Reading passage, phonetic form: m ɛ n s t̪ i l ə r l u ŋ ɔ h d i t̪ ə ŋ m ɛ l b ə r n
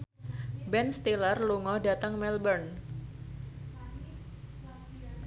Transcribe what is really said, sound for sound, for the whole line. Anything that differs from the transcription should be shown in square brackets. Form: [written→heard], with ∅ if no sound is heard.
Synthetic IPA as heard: [m→b] ɛ n s t̪ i l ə r l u ŋ ɔ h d [i→a] t̪ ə ŋ m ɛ l b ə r n